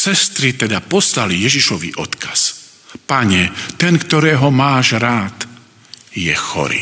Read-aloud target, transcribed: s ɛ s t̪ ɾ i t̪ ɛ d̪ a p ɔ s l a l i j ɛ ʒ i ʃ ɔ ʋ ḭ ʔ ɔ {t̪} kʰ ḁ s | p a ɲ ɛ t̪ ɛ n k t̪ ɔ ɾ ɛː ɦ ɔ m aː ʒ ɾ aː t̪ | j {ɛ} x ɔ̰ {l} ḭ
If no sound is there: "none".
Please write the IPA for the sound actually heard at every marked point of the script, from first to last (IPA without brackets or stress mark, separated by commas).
t̪, ɛ, ɾ